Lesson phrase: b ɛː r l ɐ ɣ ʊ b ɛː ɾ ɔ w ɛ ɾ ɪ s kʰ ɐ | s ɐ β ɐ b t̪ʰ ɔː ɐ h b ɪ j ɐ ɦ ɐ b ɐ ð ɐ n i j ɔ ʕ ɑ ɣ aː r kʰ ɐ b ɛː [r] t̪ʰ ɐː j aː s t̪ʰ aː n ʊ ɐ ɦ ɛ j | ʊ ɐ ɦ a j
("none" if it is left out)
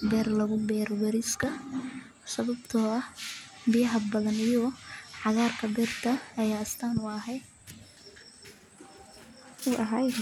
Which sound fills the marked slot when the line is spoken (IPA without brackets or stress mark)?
r